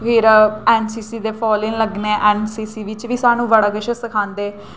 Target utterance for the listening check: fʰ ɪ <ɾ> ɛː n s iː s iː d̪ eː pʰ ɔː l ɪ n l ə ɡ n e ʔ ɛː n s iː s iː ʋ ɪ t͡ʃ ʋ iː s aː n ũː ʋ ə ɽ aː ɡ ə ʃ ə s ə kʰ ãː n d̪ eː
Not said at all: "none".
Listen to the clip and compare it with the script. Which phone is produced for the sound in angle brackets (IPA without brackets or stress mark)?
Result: ɾ